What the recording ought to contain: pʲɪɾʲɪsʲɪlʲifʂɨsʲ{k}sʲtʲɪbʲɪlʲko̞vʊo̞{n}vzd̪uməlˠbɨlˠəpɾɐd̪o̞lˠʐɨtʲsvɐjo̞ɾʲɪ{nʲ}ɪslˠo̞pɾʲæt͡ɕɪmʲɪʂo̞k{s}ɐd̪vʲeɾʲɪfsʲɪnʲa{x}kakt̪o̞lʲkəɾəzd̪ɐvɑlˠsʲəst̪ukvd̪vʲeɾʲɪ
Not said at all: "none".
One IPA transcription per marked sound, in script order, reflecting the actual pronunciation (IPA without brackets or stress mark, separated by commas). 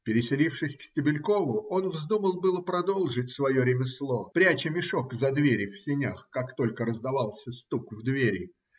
k, n, mʲ, z, x